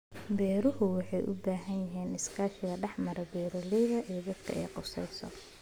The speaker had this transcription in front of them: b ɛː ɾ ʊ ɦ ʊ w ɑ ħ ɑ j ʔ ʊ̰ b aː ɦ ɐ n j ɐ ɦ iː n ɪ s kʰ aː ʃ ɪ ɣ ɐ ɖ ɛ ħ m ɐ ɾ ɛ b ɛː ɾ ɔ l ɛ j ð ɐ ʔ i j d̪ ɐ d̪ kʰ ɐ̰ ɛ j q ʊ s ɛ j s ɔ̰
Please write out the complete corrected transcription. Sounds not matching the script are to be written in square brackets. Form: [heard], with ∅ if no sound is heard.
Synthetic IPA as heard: b ɛː ɾ ʊ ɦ ʊ w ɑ ħ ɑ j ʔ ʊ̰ b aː ɦ ɐ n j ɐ ɦ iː n ɪ s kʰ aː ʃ ɪ ɣ ɐ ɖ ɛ ħ m ɐ ɾ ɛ b ɛː ɾ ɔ l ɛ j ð ɐ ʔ i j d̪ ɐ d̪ kʰ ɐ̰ ɛ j q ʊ s ɛ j s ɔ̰